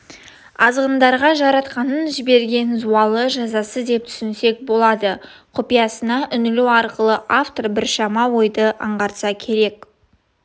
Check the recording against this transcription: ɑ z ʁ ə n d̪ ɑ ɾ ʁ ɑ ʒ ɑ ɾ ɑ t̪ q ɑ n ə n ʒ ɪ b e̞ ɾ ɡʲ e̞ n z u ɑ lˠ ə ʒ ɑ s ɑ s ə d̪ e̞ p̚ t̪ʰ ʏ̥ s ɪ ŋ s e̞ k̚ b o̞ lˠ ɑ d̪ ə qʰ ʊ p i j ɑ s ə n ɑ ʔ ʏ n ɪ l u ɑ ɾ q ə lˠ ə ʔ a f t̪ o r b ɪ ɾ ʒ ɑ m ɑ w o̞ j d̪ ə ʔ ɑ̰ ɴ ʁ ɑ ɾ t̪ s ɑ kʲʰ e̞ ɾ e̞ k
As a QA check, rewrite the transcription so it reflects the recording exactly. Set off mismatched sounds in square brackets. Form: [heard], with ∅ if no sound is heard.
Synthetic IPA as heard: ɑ z ʁ ə n d̪ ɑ ɾ ʁ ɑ ʒ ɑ ɾ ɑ t̪ q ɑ n ə n ʒ ɪ b e̞ ɾ ɡʲ e̞ n z u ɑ lˠ ə ʒ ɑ [z] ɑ s ə d̪ e̞ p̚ t̪ʰ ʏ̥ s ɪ [n] s e̞ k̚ b o̞ lˠ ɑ d̪ ə qʰ ʊ p i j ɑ s ə n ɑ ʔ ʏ n ɪ l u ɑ ɾ q ə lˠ ə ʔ a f t̪ o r b ɪ ɾ [ʃ] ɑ m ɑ w o̞ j d̪ ə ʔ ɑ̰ ɴ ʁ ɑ ɾ t̪ s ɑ kʲʰ e̞ ɾ e̞ k